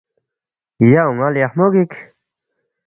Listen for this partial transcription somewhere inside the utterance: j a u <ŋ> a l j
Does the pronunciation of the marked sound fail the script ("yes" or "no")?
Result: no